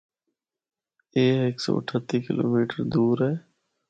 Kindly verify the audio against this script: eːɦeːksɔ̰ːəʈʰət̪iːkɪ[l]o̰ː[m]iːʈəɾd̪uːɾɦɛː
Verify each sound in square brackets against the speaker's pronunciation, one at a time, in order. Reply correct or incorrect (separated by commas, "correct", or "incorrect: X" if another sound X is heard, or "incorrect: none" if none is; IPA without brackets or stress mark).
correct, correct